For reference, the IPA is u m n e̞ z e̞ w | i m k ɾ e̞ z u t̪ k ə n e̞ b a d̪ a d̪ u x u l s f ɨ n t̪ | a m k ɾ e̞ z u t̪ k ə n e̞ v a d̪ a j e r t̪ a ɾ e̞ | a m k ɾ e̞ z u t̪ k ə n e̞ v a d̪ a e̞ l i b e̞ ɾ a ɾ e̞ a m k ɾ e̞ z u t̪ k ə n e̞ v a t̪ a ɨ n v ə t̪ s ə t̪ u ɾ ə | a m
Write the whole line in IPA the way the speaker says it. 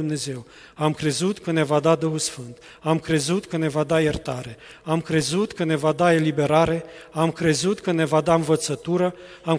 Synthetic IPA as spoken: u m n e̞ z e̞ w | a m k ɾ e̞ z u t̪ k ə n e̞ v a d̪ a d̪ u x u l s f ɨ n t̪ | a m k ɾ e̞ z u t̪ k ə n e̞ v a d̪ a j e r t̪ a ɾ e̞ | a m k ɾ e̞ z u t̪ k ə n e̞ v a d̪ a e̞ l i b e̞ ɾ a ɾ e̞ a m k ɾ e̞ z u t̪ k ə n e̞ v a d̪ a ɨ n v ə t̪ s ə t̪ u ɾ ə | a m